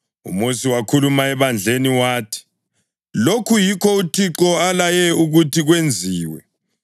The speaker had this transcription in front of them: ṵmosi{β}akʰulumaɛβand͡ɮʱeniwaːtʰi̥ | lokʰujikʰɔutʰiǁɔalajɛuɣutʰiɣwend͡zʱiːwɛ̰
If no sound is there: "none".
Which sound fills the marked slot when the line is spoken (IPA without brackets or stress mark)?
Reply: w